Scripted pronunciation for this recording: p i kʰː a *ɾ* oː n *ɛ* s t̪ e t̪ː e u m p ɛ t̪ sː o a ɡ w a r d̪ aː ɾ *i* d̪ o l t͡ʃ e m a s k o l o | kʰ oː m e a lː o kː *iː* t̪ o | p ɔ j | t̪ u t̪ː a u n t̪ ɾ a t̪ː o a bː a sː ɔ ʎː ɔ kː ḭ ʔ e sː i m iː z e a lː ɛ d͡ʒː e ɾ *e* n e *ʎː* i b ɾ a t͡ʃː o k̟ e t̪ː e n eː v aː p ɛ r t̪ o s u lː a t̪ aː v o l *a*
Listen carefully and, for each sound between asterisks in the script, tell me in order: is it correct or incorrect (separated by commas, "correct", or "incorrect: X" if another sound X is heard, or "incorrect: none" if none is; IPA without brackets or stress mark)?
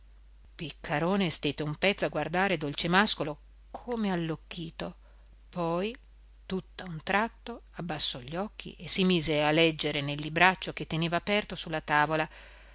correct, incorrect: e, incorrect: e, correct, correct, incorrect: lː, correct